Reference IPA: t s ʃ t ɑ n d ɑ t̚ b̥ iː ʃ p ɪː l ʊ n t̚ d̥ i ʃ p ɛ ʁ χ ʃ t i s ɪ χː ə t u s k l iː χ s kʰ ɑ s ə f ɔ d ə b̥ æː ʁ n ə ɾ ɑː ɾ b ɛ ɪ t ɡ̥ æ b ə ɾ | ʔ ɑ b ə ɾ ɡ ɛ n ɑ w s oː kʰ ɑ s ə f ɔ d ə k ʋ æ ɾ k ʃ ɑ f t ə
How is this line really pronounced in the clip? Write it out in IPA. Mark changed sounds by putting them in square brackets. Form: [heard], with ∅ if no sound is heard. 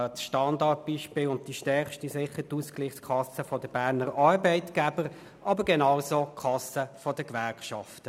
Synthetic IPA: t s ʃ t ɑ n d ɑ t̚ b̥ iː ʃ p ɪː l ʊ n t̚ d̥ i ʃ [t] ɛ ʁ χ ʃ t i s ɪ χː ə t u s k l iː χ s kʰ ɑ s ə f ɔ d ə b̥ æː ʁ n ə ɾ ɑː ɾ b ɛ ɪ t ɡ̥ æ b ə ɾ | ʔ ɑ b ə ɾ ɡ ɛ n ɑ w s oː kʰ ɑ s ə f ɔ d ə k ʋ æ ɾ k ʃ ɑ f t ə